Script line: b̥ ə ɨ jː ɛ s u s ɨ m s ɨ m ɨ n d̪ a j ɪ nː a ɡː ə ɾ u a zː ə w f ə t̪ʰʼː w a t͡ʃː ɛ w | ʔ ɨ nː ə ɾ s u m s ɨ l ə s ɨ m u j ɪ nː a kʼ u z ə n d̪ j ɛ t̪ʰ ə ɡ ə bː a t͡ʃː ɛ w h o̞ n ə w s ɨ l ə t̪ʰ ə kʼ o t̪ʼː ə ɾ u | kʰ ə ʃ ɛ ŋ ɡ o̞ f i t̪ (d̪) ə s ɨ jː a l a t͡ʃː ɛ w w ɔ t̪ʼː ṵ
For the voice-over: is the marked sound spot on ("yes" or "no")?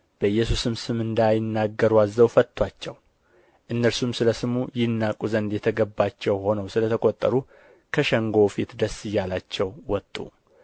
yes